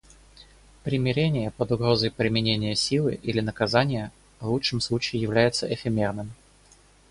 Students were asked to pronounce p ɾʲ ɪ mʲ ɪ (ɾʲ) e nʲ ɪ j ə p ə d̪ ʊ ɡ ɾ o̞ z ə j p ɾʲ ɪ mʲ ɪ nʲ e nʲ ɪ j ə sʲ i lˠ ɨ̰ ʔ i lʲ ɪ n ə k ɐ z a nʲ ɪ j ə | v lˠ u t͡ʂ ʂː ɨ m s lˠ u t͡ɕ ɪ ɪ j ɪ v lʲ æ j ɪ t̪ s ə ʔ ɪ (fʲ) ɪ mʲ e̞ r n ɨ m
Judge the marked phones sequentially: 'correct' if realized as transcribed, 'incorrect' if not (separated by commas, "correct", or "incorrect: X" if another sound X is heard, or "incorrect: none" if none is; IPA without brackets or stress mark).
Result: correct, correct